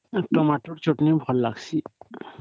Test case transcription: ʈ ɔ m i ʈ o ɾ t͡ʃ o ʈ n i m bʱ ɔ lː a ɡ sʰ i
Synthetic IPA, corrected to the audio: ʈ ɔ m a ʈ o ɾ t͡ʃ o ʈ n i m bʱ ɔ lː a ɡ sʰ i